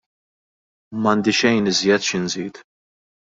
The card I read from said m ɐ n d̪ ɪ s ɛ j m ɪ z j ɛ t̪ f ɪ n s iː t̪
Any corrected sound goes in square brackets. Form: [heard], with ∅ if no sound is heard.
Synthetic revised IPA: m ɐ n d̪ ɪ [ʃ] ɛ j [n] ɪ z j ɛ t̪ [ʃ] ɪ n [z] iː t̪